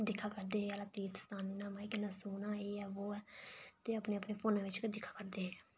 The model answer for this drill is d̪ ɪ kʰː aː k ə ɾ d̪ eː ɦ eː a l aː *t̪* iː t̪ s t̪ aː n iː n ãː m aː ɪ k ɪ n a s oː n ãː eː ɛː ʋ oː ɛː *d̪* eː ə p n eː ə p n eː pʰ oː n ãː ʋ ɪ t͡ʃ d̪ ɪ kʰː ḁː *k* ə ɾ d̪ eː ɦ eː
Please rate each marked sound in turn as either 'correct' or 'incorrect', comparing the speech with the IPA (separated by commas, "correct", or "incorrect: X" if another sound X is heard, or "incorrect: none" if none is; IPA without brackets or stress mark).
correct, incorrect: t̪, correct